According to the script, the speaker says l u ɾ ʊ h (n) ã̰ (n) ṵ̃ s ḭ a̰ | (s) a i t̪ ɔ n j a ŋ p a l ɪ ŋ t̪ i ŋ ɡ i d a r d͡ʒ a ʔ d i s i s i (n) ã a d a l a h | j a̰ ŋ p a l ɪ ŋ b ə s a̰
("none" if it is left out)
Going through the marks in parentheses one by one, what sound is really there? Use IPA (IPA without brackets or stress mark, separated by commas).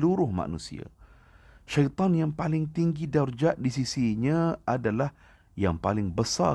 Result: m, n, ʃ, ɲ